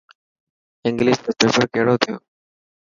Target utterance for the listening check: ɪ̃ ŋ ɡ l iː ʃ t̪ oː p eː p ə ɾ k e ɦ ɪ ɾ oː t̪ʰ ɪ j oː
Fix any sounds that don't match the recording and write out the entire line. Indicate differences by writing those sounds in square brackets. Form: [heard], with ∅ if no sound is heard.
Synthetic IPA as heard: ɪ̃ ŋ ɡ l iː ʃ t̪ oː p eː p ə ɾ k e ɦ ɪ [ɽ] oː t̪ʰ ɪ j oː